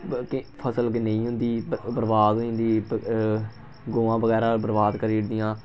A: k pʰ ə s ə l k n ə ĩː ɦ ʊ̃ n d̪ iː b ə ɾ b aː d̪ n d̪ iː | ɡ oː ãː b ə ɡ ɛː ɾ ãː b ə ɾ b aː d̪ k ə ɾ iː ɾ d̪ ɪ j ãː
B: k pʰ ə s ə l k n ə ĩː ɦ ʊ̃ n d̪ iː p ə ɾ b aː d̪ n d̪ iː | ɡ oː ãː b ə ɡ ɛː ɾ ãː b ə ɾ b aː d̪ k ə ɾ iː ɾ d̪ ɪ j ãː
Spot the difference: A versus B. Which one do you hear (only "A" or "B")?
A